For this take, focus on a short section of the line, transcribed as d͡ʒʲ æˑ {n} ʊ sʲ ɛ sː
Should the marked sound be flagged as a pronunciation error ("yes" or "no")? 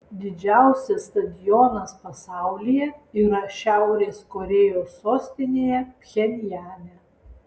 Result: yes